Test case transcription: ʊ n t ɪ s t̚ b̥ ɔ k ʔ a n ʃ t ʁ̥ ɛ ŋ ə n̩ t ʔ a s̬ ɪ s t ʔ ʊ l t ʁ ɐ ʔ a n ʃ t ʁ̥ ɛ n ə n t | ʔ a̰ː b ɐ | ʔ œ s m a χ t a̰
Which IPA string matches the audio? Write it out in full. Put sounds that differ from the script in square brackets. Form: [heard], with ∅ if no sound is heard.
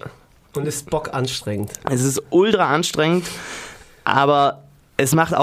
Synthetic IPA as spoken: ʊ n t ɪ s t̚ b̥ ɔ k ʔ a n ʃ t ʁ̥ ɛ ŋ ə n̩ t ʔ [ɛ] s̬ ɪ s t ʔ ʊ l t ʁ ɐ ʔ a n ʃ t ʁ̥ ɛ [ŋ] ə n t | ʔ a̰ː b ɐ | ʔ [ɛ] s m a χ t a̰